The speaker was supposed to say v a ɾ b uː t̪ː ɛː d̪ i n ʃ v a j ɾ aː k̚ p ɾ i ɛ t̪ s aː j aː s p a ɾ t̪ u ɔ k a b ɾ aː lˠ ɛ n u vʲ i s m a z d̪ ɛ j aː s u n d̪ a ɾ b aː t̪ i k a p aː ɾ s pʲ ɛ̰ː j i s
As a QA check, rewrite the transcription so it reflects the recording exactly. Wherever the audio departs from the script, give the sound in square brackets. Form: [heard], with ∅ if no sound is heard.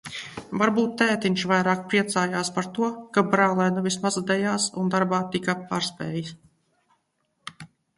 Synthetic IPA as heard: v a ɾ b uː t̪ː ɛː [t̪] i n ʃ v a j ɾ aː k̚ p ɾ i ɛ t̪ s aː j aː s p a ɾ t̪ u ɔ k a b ɾ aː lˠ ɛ n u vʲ i s m a z d̪ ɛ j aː s u n d̪ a ɾ b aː t̪ i k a p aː ɾ s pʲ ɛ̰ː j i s